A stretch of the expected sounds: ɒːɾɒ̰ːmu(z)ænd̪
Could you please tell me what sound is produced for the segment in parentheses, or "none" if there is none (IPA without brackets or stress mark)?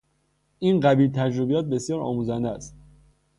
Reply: z